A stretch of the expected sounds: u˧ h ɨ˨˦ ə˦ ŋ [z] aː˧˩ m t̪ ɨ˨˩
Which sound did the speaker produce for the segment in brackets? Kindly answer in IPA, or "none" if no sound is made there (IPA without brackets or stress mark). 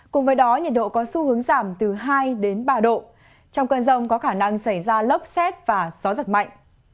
z